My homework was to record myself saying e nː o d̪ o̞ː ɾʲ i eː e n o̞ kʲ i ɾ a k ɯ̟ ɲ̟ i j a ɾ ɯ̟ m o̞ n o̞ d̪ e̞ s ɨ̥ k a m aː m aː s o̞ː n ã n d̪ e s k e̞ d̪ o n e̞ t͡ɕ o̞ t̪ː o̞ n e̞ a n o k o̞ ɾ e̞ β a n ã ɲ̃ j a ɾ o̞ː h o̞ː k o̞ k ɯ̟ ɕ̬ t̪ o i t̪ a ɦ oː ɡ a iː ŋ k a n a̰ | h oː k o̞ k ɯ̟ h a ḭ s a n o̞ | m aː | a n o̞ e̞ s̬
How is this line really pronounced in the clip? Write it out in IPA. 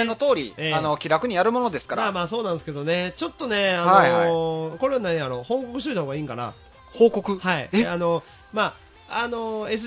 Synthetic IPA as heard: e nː o t̪ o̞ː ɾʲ i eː a n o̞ kʲ i ɾ a k ɯ̟ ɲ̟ i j a ɾ ɯ̟ m o̞ n o̞ d̪ e̞ s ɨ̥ k a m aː m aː s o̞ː n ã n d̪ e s k e̞ d̪ o n e̞ t͡ɕ o̞ t̪ː o̞ n e̞ a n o k o̞ ɾ e̞ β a n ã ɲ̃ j a ɾ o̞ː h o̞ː k o̞ k ɯ̟ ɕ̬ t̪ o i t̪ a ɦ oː ɡ a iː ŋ k a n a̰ | h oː k o̞ k ɯ̟ h a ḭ a n o̞ | m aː | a n o̞ e̞ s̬